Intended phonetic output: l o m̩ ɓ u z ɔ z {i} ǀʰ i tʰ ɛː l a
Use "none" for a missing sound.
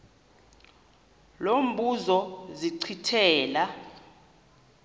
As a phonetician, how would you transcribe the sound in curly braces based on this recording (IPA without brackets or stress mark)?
i